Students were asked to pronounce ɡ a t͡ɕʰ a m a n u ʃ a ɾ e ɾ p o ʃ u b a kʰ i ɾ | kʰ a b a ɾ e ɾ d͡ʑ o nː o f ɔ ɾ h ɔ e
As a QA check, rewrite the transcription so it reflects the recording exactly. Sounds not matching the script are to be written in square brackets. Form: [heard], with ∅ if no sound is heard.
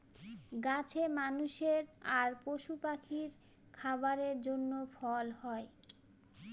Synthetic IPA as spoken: ɡ a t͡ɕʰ [e] m a n u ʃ [e] ɾ [a] ɾ p o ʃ u [p] a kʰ i ɾ | kʰ a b a ɾ e ɾ d͡ʑ o nː o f ɔ [l] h ɔ e